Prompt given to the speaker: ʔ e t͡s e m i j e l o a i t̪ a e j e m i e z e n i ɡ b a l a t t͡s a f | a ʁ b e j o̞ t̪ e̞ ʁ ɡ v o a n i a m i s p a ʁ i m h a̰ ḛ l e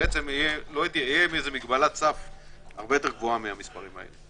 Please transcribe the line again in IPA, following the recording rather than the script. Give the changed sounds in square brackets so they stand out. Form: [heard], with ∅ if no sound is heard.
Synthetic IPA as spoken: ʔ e t͡s e m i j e l o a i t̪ [i] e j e m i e z e [m] i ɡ b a l a t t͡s a f | a ʁ b e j o̞ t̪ e̞ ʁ ɡ v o a [m] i a m i s p a ʁ i m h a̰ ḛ l e

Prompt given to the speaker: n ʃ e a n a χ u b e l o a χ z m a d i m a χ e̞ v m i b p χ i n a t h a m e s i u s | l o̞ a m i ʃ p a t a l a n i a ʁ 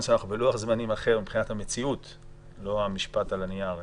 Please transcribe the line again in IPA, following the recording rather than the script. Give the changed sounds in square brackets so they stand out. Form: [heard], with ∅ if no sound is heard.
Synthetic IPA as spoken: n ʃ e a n a χ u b e l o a χ z m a [n] i m a χ e̞ [ʁ] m i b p χ i n a t h a m e [t͡s] i u [t] | l o̞ a m i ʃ p a t a l a n i a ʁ

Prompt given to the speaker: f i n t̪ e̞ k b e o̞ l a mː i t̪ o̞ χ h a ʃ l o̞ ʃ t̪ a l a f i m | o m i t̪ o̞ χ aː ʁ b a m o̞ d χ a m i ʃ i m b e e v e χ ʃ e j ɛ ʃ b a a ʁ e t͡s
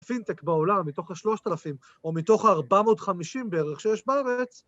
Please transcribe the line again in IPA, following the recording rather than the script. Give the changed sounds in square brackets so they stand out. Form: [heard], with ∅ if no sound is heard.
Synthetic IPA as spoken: f i n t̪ e̞ k b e o̞ l a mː i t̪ o̞ χ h a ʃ l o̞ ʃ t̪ a l a f i m | o m i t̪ o̞ χ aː ʁ b a m o̞ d χ a m i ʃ i m b e e [ʁ] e χ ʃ e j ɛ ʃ b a a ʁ e t͡s

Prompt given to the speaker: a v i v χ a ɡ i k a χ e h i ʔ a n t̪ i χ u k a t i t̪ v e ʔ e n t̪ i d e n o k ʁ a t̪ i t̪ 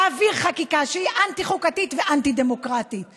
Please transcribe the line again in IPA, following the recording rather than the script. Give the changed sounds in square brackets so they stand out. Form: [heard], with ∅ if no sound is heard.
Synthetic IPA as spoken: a v i [ʁ] χ a [k] i k a [ʃ] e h i ʔ a n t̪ i χ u k a t i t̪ v e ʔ [a] n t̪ i d e [m] o k ʁ a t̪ i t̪

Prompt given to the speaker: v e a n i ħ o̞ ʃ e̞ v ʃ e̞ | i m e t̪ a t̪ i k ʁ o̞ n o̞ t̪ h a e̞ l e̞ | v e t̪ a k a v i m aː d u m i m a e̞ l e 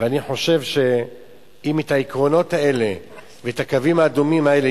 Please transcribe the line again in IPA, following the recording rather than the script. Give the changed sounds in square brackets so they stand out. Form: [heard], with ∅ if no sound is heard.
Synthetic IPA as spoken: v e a n i ħ o̞ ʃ e̞ v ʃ e̞ | i m e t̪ a [∅] i k ʁ o̞ n o̞ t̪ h a e̞ l e̞ | v e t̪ a k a v i m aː d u m i m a e̞ l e

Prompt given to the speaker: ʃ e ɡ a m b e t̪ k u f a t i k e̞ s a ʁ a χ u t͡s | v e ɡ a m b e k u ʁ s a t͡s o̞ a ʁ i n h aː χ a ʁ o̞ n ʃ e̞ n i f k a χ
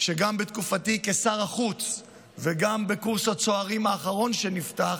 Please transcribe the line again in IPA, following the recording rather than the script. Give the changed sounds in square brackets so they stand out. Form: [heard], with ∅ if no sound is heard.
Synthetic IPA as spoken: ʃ e ɡ a m b e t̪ k u f a t i k e̞ s a ʁ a χ u t͡s | v e ɡ a m b e k u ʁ s a t͡s o̞ a ʁ i [m] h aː χ a ʁ o̞ n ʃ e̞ n i f [t] a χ

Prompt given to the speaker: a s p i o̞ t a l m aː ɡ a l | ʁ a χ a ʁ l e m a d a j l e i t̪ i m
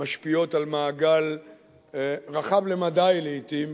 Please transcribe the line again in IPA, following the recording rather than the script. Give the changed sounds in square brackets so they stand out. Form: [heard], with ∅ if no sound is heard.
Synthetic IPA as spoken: a [ʃ] p i o̞ t a l m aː ɡ a l | ʁ a χ a [v] l e m a d a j l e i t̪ i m

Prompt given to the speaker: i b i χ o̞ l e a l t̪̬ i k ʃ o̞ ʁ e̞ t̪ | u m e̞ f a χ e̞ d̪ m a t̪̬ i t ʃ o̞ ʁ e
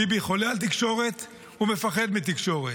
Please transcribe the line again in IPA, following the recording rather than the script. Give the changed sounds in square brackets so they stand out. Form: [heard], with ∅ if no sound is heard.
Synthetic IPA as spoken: i b i χ o̞ l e a l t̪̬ i k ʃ o̞ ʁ e̞ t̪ | u m e̞ f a χ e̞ d̪ m [i] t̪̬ i [k] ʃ o̞ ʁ e

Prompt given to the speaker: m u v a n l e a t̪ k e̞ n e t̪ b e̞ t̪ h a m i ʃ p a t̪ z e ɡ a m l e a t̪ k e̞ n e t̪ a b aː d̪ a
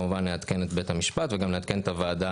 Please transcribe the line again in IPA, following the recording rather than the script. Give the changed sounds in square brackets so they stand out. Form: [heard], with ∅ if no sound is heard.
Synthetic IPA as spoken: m u v a n l e a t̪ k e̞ n e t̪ b e̞ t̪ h a m i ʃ p a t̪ [v] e ɡ a m l e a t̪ k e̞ n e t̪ a [v] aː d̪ a

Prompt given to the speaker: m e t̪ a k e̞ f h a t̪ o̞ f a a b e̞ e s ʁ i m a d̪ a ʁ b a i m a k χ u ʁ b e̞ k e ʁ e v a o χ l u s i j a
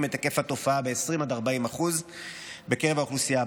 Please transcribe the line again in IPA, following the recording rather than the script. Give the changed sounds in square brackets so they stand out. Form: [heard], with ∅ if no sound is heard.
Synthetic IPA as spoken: m e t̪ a k e̞ f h a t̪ o̞ f a a b e̞ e s ʁ i m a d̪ a ʁ b a i m a [∅] χ u [z] b e̞ k e ʁ e v a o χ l u s i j a

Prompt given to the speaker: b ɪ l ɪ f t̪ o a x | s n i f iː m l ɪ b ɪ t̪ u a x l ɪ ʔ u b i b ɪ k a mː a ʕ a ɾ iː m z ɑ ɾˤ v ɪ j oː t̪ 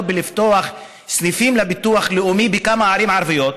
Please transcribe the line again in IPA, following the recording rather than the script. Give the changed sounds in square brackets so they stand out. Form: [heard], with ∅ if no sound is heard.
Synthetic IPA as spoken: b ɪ l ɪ f t̪ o a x | s n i f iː m l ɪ b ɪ t̪ u a x l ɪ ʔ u [m] i b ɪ k a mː a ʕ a ɾ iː m [ʕ] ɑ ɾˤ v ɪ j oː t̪

